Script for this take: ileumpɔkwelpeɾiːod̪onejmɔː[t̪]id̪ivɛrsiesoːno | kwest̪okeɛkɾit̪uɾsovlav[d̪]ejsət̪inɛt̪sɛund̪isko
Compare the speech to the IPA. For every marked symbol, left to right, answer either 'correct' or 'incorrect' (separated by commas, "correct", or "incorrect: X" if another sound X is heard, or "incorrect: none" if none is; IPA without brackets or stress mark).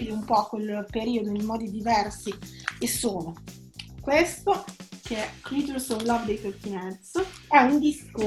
incorrect: d̪, correct